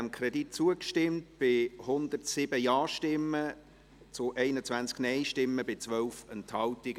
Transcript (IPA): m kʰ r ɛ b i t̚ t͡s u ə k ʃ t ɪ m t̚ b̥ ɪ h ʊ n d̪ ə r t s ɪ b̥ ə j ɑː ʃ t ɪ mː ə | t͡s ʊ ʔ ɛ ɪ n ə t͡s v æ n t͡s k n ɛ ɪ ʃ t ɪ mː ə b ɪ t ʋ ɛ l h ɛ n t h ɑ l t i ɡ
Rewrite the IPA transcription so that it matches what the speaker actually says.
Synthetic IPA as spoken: m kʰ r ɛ d i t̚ t͡s u ə k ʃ t ɪ m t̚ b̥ ɪ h ʊ n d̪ ə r t s ɪ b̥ ə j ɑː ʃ t ɪ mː ə | t͡s ʊ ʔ ɛ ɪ n ə t͡s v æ n t͡s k n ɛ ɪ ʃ t ɪ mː ə b ɪ t͡s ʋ œ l f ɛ n t h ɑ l t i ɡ

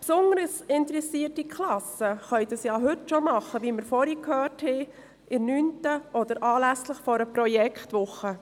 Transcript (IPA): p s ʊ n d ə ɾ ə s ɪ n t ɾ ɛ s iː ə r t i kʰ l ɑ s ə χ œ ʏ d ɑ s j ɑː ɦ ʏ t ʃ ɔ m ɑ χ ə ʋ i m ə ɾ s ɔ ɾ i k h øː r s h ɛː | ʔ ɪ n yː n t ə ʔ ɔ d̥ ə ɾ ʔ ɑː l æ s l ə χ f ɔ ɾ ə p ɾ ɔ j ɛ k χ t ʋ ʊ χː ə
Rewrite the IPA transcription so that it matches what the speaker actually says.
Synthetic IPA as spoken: p s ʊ n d ə ɾ ə s ɪ n t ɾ ɛ s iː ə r t i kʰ l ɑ s ə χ œ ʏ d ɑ s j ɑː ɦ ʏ t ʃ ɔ m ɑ χ ə ʋ i m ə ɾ f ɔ ɾ i k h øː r t h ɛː | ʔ ɪ n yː n t ə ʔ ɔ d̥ ə ɾ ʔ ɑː l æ s l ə χ f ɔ ɾ ə p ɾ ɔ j ɛ k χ t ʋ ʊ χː ə

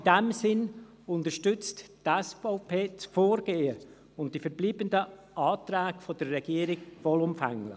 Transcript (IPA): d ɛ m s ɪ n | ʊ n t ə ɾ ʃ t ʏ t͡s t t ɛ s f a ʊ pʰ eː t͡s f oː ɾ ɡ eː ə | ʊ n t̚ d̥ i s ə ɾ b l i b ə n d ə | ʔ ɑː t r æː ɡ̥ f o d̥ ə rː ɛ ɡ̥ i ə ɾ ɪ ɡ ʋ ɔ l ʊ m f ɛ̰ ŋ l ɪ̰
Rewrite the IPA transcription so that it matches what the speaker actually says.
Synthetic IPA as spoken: d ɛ m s ɪ n | ʊ n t ə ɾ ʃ t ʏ t͡s t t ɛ s f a ʊ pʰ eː t͡s f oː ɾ ɡ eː ə | ʊ n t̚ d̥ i f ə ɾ b l iː b ə n d ə | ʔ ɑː t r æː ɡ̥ f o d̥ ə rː ɛ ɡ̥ i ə ɾ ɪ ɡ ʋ ɔ l ʊ m f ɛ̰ ŋ l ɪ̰

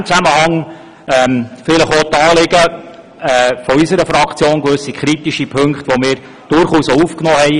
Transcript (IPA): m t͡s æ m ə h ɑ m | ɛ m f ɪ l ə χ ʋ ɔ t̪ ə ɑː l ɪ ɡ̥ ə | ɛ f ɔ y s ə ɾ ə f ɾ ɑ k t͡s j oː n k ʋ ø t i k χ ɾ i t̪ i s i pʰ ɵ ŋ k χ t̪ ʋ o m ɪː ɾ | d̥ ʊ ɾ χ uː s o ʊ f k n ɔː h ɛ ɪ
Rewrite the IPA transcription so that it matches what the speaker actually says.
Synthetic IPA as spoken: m t͡s æ m ə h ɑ ŋ | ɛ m f ɪ l ə χ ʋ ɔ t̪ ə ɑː l ɪ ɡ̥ ə | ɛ f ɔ y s ə ɾ ə f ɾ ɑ k t͡s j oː n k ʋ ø s i k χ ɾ i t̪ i ʃ i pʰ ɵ ŋ k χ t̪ ʋ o m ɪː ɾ | d̥ ʊ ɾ χ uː s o u f k n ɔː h ɛ ɪ

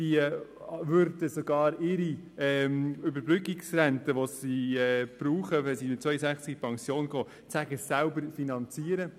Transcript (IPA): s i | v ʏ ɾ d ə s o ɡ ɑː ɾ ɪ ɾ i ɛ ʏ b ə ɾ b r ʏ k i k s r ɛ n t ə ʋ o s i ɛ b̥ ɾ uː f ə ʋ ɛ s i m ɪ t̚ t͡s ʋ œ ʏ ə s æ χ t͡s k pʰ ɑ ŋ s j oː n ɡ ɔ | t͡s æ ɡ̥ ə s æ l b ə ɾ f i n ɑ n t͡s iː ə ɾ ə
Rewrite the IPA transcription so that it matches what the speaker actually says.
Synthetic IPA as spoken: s i | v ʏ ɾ d ə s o ɡ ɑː ɾ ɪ ɾ i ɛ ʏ b ə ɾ b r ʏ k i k s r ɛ n t ə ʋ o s i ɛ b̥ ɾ uː χ ə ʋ ɛ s i m ɪ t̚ t͡s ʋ œ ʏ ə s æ χ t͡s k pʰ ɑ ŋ s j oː n ɡ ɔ | t͡s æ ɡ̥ ə s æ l b ə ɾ f i n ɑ n t͡s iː ə ɾ ə

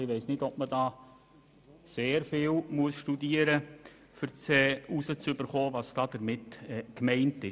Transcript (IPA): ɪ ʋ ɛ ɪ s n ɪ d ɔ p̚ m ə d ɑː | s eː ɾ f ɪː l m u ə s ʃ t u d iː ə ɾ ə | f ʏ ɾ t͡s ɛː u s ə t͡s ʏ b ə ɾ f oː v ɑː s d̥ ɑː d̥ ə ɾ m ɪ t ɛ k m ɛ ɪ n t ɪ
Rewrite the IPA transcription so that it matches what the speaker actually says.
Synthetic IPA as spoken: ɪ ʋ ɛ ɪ s n ɪ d ɔ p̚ m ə d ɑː | s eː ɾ f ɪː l m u ə s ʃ t u d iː ə ɾ ə | f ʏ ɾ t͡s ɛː u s ə t͡s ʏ b ə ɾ χ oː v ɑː s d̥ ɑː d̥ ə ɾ m ɪ t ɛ k m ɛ ɪ n t ɪ

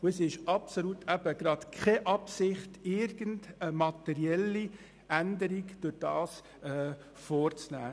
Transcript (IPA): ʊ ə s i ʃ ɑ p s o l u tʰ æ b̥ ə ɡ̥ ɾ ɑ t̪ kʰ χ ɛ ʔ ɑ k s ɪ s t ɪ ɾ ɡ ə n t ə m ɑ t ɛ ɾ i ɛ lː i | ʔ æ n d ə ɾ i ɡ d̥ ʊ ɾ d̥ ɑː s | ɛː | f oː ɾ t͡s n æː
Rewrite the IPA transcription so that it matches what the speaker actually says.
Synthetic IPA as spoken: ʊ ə s ɪ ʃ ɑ p s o l u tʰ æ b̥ ə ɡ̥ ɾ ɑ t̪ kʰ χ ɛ ʔ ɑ p s ɪ χ t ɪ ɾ ɡ ə n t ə m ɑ t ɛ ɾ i ɛ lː i | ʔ æ n d ə ɾ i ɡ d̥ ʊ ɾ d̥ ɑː s | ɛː | f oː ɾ t͡s n æː

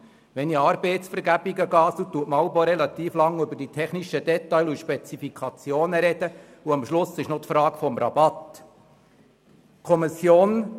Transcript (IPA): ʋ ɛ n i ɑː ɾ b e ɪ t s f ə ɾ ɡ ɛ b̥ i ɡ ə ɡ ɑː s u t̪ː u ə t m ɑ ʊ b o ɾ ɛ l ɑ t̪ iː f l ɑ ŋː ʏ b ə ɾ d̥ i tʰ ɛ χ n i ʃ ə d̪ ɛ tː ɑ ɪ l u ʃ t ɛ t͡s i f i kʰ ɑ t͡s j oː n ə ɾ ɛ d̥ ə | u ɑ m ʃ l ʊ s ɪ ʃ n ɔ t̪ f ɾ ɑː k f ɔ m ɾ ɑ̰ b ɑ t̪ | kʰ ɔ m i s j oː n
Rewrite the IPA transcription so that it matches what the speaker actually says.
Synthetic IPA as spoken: ʋ ɛ n i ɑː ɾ b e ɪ t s f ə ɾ ɡ æ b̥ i ɡ ə ɡ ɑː s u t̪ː u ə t m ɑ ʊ b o ɾ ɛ l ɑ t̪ iː f l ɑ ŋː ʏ b ə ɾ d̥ i tʰ ɛ χ n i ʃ ə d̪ ɛ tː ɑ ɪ l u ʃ p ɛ t͡s i f i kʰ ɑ t͡s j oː n ə ɾ ɛ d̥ ə | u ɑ m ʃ l ʊ s ɪ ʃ n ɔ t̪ f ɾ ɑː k f ɔ m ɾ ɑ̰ b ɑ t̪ | kʰ ɔ m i s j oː n

